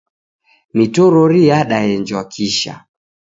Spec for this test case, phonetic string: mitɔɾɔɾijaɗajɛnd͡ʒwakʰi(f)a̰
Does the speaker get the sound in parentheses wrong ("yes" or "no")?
yes